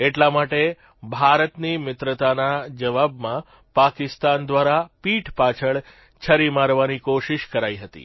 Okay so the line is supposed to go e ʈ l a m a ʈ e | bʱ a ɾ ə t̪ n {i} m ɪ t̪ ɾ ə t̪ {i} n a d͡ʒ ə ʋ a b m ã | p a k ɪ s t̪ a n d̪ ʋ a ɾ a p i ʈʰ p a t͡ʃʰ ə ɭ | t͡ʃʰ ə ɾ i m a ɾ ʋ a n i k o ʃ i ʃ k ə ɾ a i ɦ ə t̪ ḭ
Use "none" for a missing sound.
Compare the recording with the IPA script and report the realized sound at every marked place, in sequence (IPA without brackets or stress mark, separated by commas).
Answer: i, a